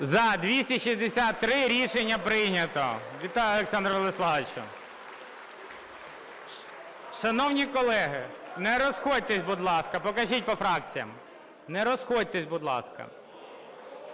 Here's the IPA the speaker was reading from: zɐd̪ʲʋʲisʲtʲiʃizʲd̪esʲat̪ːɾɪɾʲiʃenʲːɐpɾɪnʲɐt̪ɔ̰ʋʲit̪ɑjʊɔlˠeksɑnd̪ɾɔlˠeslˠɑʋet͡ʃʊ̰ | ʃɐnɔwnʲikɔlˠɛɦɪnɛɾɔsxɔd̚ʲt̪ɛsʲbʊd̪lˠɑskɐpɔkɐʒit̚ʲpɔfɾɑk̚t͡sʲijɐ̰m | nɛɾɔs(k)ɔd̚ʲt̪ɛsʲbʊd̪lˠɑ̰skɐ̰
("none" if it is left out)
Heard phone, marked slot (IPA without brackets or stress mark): x